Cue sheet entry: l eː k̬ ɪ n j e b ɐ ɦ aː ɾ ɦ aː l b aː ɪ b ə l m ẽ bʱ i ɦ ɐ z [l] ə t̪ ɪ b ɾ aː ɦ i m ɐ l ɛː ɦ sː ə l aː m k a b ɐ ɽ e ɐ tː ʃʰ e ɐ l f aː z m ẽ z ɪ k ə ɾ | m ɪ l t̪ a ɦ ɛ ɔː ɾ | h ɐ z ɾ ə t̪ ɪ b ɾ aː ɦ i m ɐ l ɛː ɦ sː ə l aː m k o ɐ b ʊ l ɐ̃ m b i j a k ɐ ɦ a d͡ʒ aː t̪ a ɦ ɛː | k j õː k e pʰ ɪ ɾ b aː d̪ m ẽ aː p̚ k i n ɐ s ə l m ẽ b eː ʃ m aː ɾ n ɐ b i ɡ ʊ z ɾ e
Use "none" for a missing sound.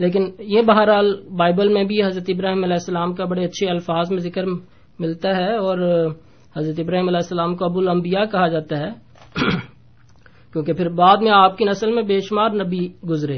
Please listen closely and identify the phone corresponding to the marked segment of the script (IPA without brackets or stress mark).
ɾ